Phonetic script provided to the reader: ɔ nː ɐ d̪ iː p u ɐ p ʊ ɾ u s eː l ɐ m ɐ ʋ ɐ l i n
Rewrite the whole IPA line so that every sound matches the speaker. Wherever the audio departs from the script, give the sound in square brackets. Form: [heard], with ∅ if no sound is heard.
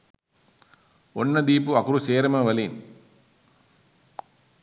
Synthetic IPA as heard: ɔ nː ɐ d̪ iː p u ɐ [k] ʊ ɾ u s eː [ɾ] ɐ m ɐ ʋ ɐ l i n